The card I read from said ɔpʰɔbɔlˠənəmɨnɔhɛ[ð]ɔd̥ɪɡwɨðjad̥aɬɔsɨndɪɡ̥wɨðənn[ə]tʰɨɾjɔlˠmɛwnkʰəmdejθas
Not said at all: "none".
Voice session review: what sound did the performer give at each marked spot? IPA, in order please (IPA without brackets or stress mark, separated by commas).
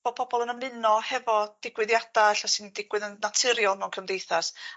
v, a